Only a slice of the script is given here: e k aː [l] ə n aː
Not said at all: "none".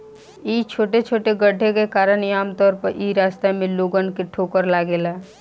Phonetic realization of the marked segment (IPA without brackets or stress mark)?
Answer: ɾ